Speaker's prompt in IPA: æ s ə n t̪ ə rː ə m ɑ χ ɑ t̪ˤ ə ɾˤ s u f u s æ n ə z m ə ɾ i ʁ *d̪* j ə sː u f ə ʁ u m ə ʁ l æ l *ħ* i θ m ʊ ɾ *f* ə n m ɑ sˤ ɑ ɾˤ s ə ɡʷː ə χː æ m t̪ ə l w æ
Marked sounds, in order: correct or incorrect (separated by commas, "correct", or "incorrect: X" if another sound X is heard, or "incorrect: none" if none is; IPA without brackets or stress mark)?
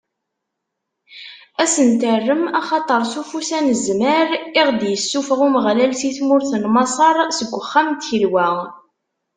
correct, incorrect: s, incorrect: θ